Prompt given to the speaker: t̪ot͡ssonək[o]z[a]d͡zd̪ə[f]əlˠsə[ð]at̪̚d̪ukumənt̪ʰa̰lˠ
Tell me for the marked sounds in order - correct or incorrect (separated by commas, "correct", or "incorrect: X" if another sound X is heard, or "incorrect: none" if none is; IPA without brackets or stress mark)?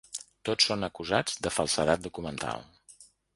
incorrect: u, correct, correct, correct